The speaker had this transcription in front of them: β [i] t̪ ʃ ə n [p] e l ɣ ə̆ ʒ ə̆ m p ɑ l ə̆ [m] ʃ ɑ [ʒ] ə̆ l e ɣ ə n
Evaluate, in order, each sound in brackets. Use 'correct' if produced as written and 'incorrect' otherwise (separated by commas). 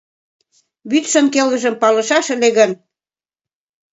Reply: incorrect, incorrect, incorrect, incorrect